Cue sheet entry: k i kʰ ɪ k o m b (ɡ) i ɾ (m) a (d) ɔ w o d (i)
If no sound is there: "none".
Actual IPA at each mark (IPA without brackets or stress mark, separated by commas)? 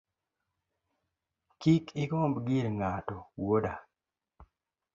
ɡ, ŋ, t, a